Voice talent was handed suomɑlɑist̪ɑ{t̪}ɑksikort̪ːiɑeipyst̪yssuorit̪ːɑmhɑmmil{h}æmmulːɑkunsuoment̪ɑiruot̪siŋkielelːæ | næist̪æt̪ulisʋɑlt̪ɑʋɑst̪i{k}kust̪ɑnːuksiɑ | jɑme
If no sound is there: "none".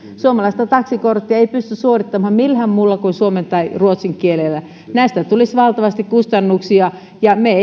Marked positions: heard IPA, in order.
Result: t̪, h, k

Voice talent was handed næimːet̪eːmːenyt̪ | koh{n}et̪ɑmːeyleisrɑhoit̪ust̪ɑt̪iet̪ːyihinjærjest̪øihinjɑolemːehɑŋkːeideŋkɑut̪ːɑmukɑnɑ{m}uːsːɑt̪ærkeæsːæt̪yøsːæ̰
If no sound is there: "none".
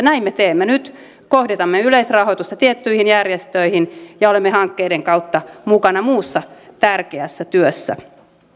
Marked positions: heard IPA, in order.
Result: d, m

